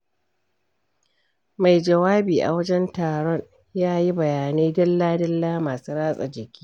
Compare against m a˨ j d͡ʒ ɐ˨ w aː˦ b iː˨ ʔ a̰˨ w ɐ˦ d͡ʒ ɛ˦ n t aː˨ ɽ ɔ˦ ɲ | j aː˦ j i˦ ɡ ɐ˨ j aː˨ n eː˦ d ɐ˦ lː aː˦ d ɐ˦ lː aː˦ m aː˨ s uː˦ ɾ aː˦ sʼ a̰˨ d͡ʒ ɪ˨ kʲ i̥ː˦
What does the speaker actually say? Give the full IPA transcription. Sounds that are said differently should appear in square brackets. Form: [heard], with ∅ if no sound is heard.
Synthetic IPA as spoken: m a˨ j d͡ʒ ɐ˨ w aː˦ b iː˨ ʔ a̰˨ w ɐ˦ d͡ʒ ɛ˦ n t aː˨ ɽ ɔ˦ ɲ | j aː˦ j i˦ [b] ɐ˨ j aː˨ n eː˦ d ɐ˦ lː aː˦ d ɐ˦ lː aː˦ m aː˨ s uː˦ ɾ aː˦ sʼ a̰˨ d͡ʒ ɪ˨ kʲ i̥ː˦